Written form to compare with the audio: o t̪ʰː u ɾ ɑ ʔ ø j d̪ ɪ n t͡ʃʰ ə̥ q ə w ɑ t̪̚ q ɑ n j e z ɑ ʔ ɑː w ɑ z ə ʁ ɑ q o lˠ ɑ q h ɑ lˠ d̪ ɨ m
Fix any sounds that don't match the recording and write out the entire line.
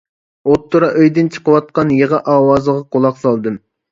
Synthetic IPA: o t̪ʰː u ɾ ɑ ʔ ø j d̪ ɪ n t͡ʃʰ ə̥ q ə w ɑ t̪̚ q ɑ n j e ʁ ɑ ʔ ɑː w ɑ z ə ʁ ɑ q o lˠ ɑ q s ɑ lˠ d̪ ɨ m